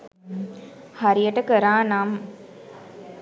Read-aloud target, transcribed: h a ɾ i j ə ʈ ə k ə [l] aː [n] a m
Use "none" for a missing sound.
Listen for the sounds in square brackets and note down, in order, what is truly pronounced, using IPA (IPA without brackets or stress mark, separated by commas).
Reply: ɾ, n